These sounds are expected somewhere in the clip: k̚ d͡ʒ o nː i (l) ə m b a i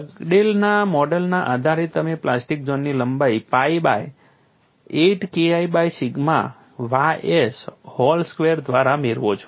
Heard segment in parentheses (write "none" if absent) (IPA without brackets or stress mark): l